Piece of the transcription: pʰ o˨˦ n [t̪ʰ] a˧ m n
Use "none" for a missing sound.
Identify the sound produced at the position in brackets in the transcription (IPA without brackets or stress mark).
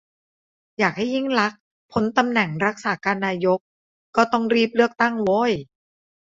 t̪